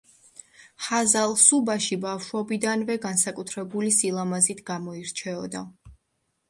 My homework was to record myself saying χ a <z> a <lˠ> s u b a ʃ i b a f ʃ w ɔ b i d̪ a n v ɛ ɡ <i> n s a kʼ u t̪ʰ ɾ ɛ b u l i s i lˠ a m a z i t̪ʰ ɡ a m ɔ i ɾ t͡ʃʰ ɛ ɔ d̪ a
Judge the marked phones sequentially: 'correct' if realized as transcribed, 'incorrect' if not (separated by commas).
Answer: correct, correct, incorrect